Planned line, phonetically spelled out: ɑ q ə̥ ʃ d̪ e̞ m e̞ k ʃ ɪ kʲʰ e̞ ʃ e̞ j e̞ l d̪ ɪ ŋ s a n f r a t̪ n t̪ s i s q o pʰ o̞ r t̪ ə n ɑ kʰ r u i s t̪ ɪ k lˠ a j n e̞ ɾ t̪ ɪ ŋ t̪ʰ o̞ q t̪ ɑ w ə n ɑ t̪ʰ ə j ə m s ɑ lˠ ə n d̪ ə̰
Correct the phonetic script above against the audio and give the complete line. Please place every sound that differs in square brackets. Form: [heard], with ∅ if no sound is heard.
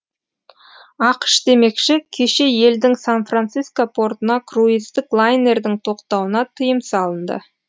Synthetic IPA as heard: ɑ q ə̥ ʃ d̪ e̞ m e̞ k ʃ ɪ kʲʰ e̞ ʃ e̞ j e̞ l d̪ ɪ ŋ s a n f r a [∅] n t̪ s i s [k] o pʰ o̞ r t̪ ə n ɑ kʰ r u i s t̪ ɪ k lˠ a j n e̞ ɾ [d̪] ɪ ŋ t̪ʰ o̞ q t̪ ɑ w ə n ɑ t̪ʰ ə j ə m s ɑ lˠ ə n d̪ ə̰